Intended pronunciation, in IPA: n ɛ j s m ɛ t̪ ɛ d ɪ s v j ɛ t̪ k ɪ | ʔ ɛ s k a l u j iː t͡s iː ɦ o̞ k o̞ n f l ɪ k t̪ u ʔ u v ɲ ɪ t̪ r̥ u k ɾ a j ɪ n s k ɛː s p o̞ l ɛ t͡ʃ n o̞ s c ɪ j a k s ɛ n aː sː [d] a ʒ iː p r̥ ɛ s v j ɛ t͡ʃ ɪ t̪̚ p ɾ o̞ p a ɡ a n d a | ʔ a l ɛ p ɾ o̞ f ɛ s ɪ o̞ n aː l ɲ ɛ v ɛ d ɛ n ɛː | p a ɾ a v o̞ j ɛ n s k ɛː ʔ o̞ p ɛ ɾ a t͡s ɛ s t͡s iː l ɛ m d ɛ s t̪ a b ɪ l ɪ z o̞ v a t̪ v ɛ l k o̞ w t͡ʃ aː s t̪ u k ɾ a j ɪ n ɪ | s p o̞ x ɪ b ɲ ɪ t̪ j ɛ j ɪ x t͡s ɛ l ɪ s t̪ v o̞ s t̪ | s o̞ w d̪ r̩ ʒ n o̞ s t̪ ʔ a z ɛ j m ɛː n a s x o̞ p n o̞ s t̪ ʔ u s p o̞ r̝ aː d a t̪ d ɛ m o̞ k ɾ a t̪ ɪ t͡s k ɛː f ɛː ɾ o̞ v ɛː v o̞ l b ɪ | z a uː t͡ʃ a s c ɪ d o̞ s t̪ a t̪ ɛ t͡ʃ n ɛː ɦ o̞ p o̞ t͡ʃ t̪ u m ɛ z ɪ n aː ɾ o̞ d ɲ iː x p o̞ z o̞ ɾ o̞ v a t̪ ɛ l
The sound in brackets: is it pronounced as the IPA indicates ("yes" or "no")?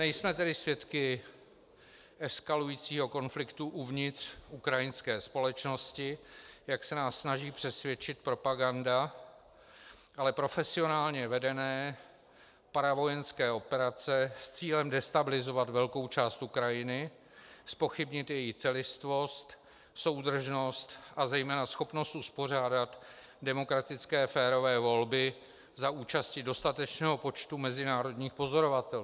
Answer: no